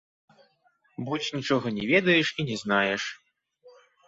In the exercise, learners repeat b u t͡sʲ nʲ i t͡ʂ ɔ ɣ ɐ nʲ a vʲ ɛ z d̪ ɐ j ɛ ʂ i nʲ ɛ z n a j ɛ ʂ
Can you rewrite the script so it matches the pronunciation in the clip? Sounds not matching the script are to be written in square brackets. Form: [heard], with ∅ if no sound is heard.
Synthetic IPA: b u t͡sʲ nʲ i t͡ʂ ɔ ɣ ɐ nʲ [ɛ] vʲ ɛ [∅] d̪ ɐ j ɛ ʂ i nʲ ɛ z n a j ɛ ʂ

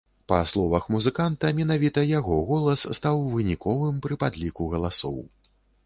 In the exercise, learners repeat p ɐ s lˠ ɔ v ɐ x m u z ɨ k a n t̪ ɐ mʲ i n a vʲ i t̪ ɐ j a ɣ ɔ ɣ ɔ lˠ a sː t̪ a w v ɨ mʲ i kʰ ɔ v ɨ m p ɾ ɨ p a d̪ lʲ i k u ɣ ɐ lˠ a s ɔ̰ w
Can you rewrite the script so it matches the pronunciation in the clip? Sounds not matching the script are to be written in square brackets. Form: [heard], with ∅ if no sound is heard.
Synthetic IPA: p ɐ s lˠ ɔ v ɐ x m u z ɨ k a n t̪ ɐ mʲ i n a vʲ i t̪ ɐ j a ɣ ɔ ɣ ɔ lˠ [ɐ] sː t̪ a w v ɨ [nʲ] i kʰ ɔ v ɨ m p ɾ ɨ p a d̪ lʲ i k u ɣ ɐ lˠ a s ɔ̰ w

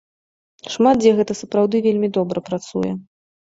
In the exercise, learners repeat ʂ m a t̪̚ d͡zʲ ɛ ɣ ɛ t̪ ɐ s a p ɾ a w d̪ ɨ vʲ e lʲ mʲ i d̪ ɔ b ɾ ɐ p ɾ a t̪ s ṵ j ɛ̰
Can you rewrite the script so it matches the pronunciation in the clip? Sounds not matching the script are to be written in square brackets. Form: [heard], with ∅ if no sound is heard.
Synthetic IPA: ʂ m a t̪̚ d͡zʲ ɛ ɣ ɛ t̪ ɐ s [ɐ] p ɾ a w d̪ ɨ vʲ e lʲ mʲ i d̪ ɔ b ɾ ɐ p ɾ a t̪ s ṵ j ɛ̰

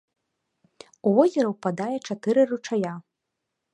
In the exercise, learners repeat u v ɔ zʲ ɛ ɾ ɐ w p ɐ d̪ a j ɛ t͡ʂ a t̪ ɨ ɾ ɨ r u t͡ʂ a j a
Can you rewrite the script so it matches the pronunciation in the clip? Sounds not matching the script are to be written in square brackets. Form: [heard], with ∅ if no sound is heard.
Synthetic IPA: u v ɔ zʲ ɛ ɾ ɐ w p [a] d̪ a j ɛ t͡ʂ a t̪ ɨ ɾ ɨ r u t͡ʂ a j a

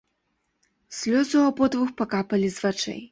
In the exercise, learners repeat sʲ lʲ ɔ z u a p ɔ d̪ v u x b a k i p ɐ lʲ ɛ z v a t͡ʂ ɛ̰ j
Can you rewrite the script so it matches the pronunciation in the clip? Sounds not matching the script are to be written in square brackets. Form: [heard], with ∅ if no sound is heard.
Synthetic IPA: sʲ lʲ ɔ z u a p ɔ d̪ v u x [p] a k [a] p ɐ lʲ [i] z v a t͡ʂ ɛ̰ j

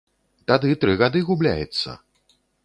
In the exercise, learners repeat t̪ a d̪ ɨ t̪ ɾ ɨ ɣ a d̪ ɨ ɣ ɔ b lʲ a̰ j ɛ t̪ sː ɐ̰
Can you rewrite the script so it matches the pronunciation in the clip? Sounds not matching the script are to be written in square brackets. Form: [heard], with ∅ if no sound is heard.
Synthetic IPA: t̪ a d̪ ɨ t̪ ɾ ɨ ɣ a d̪ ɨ ɣ [u] b lʲ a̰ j ɛ t̪ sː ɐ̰

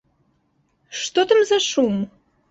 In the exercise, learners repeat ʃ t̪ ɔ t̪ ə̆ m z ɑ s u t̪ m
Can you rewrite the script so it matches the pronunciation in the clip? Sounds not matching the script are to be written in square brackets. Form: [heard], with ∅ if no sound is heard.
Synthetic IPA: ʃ t̪ [o] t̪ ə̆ m z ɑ [ʃ] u [∅] m

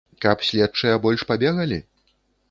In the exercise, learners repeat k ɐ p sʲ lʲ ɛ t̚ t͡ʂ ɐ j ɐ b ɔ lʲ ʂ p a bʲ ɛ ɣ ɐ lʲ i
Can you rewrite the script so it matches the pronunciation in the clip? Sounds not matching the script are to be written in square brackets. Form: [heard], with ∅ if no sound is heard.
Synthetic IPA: k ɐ p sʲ lʲ ɛ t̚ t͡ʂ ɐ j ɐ b ɔ lʲ ʂ p a bʲ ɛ ɣ ɐ lʲ i

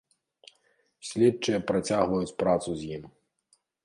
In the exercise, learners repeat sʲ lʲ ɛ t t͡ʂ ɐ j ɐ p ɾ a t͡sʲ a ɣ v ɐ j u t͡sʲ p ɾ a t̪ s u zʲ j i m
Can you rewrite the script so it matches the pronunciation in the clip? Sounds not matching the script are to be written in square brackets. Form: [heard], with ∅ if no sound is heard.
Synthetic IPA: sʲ lʲ ɛ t t͡ʂ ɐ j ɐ p ɾ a t͡sʲ a ɣ v ɐ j u t͡sʲ p ɾ a t̪ s u zʲ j i m

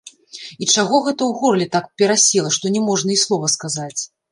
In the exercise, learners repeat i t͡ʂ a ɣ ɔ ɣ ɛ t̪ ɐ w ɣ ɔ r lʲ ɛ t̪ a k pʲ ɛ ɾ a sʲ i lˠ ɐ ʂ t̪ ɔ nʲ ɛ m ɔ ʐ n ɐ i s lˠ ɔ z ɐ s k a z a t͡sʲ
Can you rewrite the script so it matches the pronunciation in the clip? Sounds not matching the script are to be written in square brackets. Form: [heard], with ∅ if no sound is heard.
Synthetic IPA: i t͡ʂ a ɣ ɔ ɣ ɛ t̪ ɐ w ɣ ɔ r lʲ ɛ t̪ a k pʲ ɛ ɾ a sʲ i lˠ ɐ ʂ t̪ ɔ nʲ ɛ m ɔ ʐ n ɐ i s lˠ ɔ [v] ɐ s k a z a t͡sʲ

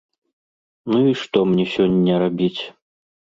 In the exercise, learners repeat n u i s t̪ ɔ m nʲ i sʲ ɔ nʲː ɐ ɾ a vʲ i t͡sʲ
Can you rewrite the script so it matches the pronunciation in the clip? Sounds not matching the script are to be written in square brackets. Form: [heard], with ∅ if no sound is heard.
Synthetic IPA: n u i [ʂ] t̪ ɔ m nʲ [ɛ] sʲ ɔ nʲː ɐ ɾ a [bʲ] i t͡sʲ

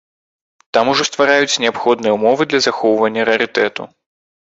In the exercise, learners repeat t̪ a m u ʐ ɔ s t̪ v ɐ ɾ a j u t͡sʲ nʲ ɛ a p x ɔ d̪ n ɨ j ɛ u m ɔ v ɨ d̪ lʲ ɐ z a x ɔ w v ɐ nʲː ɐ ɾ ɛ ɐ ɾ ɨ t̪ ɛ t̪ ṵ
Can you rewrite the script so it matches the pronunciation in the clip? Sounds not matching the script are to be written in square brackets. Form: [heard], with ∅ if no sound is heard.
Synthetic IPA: t̪ a m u ʐ ɔ s t̪ v [a] ɾ a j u t͡sʲ nʲ ɛ a p x ɔ d̪ n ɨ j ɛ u m ɔ v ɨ d̪ lʲ ɐ z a x ɔ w v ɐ nʲː ɐ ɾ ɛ ɐ ɾ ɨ t̪ ɛ t̪ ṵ

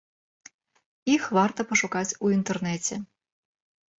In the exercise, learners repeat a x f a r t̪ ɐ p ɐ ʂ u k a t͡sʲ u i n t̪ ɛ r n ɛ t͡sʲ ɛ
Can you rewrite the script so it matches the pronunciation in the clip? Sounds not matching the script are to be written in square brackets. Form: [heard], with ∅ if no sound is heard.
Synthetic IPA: [i] x [v] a r t̪ ɐ p ɐ ʂ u k a t͡sʲ u i n t̪ ɛ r n ɛ t͡sʲ ɛ

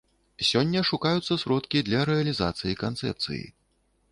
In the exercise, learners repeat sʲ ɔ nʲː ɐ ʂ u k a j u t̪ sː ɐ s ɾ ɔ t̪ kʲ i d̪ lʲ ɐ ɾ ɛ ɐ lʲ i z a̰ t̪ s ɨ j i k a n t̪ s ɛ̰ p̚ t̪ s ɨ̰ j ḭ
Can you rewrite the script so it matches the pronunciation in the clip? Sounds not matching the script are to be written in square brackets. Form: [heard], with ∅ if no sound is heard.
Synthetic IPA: sʲ ɔ nʲː ɐ ʂ u k a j u t̪ sː ɐ s ɾ ɔ t̪ kʲ i d̪ lʲ ɐ ɾ ɛ ɐ lʲ i z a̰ t̪ s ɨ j i k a n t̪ s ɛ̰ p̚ t̪ s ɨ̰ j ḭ

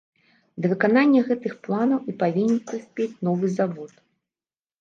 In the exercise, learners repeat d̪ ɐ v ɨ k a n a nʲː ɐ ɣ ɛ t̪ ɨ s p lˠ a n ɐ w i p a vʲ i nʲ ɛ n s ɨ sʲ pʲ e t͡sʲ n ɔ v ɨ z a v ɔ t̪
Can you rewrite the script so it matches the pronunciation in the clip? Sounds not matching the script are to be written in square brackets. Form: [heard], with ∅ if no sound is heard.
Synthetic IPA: d̪ ɐ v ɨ k a n a nʲː ɐ ɣ ɛ t̪ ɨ [x] p lˠ a n ɐ w i p a vʲ i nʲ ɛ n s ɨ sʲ pʲ e t͡sʲ n ɔ v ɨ z a v ɔ t̪

